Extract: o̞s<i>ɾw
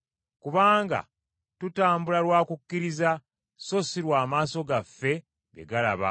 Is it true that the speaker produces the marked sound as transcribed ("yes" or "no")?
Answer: yes